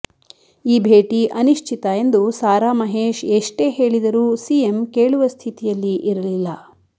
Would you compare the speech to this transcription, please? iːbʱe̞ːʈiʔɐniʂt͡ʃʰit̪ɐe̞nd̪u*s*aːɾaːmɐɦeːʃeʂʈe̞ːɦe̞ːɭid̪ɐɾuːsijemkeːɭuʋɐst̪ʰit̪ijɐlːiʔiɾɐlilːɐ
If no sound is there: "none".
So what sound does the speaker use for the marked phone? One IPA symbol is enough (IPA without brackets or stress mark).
s